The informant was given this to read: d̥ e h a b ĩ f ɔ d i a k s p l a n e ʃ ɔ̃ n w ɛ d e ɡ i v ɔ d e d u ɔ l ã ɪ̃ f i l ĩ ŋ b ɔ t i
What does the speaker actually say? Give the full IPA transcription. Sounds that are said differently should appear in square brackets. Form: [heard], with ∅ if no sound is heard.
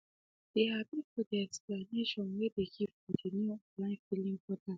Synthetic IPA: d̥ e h a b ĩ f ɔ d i [ɛ] k s p l a n e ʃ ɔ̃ n w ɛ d e ɡ i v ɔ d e [n] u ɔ l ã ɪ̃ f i l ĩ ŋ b ɔ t [a]